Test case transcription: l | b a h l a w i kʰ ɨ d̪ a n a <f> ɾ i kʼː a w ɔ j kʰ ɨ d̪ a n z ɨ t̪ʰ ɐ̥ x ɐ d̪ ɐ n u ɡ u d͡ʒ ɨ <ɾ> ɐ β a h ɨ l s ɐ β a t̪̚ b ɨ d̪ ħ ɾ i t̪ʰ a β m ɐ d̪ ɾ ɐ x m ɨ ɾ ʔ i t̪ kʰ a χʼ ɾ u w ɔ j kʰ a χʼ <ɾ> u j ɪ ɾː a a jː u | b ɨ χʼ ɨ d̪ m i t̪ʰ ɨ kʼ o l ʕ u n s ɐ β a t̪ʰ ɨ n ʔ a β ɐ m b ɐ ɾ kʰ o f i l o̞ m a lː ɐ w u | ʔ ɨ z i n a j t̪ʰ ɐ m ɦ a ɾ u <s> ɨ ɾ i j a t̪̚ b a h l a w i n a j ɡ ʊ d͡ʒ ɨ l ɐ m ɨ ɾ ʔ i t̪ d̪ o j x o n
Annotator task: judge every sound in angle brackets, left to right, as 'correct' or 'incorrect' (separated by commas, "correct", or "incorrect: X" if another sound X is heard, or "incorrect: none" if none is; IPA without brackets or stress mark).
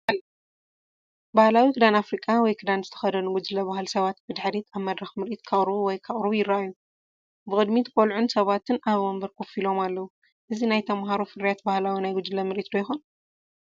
correct, incorrect: l, correct, incorrect: f